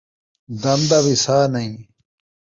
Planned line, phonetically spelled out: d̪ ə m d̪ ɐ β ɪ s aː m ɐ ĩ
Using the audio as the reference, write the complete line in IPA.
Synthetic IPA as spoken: d̪ ɐ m d̪ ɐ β i s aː n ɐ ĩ

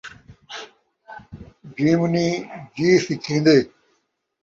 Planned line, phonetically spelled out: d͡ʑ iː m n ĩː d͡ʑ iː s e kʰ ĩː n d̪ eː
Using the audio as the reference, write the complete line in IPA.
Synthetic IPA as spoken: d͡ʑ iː m n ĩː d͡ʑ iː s i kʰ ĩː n d̪ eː

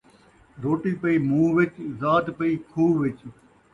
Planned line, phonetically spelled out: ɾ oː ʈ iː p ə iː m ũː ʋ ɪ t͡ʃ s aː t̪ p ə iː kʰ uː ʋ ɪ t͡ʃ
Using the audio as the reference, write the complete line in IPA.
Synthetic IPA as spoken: ɾ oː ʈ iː p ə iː m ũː ʋ ɪ t͡ʃ z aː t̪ p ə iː kʰ uː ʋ ɪ t͡ʃ

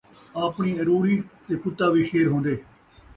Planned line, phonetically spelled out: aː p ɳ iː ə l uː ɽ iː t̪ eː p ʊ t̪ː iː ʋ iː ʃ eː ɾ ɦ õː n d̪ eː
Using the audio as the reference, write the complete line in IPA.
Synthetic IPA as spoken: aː p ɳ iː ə ɾ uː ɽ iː t̪ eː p ʊ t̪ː aː ʋ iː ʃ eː ɾ ɦ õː n d̪ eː

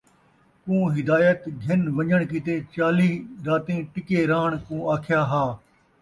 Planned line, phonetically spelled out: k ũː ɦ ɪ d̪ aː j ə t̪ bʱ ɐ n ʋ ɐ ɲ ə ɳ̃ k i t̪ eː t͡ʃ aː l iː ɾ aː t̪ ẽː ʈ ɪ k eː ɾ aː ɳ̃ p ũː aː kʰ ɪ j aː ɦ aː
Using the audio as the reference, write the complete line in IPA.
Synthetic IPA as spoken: k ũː ɦ ɪ d̪ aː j ə t̪ ɡʱ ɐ n ʋ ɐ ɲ ə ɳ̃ k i t̪ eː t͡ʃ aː l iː ɾ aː t̪ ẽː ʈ ɪ k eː ɾ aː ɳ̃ k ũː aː kʰ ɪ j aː ɦ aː

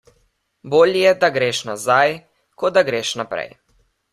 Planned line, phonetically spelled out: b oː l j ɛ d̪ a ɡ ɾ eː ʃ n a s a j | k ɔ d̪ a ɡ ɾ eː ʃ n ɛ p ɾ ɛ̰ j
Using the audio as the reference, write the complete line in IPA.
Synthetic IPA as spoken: b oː l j ɛ d̪ a ɡ ɾ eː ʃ n a z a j | k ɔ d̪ a ɡ ɾ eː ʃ n a p ɾ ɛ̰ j

